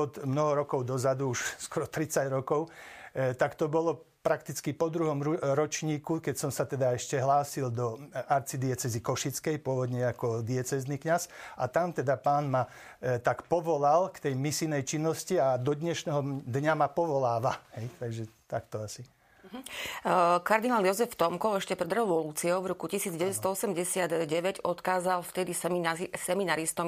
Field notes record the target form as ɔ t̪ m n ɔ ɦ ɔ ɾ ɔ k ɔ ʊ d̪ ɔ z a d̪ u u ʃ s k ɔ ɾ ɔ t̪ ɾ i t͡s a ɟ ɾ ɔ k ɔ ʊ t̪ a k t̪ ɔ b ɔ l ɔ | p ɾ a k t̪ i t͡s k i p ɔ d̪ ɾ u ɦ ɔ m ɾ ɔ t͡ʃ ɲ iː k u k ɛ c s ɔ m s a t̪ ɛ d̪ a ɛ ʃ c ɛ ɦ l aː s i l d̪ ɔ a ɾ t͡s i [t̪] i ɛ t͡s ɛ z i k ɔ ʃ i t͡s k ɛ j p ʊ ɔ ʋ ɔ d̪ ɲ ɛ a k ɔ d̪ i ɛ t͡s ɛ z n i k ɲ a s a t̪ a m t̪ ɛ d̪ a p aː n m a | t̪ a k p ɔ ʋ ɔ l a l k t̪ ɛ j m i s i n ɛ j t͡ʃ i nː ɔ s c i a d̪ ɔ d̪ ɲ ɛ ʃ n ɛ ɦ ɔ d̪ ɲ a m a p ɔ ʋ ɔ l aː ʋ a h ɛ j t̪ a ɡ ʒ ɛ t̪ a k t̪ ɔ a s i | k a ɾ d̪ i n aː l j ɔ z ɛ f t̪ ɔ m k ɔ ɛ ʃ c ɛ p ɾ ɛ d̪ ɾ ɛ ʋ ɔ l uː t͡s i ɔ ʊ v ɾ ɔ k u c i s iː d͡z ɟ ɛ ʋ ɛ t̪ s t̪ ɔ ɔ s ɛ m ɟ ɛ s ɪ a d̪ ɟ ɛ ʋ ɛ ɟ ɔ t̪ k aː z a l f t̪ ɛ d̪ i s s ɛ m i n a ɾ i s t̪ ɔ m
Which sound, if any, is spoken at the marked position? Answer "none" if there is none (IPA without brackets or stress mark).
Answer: d̪